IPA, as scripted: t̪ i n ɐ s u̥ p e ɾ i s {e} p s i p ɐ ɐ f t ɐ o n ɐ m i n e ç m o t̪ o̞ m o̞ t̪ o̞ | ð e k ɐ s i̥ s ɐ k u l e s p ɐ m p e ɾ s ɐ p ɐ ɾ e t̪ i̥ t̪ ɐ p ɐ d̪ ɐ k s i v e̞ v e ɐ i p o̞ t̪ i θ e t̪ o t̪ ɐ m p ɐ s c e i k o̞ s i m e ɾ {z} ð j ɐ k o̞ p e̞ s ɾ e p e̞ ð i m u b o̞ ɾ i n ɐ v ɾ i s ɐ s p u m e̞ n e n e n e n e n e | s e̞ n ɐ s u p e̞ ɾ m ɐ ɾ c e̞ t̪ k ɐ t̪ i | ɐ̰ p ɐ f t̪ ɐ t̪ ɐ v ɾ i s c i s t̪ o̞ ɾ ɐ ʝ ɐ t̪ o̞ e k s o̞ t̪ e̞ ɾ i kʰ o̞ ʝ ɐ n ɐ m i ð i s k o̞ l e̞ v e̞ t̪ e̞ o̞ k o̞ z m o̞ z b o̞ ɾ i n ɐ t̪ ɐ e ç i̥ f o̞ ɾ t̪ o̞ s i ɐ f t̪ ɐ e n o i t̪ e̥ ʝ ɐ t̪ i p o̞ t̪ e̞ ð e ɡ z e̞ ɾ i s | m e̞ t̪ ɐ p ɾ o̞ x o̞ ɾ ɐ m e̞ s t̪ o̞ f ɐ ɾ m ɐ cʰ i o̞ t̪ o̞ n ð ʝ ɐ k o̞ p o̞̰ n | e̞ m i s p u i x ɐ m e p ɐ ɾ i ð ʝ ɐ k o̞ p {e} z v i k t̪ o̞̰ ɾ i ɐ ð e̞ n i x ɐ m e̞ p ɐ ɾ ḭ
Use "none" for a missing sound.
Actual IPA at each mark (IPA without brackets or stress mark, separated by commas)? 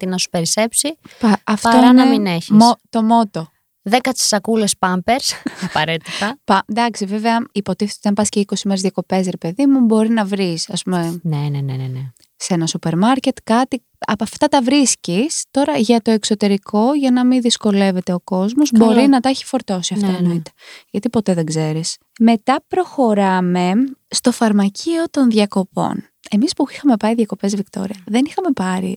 e, z, e